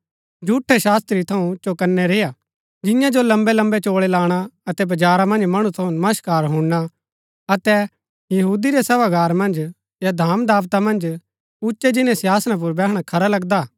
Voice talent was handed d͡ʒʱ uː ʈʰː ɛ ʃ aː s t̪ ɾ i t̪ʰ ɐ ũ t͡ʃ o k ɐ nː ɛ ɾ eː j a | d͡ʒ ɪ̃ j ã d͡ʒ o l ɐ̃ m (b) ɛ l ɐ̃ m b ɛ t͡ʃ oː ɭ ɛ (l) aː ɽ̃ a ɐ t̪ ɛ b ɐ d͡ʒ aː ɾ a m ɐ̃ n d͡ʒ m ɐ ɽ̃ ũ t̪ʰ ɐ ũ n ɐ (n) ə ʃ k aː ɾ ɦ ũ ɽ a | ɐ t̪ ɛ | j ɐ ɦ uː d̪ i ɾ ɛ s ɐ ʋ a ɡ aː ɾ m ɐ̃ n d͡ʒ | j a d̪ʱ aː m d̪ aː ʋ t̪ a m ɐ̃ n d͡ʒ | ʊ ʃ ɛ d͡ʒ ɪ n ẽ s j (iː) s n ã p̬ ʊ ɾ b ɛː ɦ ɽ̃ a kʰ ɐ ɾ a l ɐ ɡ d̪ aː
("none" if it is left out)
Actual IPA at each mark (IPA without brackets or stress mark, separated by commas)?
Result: b, l, m, aː